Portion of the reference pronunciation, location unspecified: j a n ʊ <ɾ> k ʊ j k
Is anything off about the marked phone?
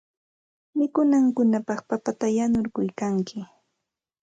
no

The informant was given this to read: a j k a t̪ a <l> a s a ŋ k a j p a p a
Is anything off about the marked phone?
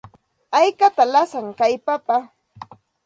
no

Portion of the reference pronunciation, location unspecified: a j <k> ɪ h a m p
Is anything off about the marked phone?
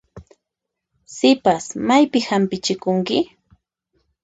yes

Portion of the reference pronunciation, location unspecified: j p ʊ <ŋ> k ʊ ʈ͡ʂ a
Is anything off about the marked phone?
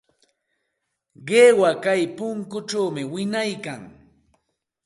no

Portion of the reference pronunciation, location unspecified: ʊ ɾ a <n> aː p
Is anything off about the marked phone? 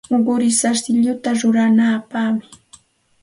no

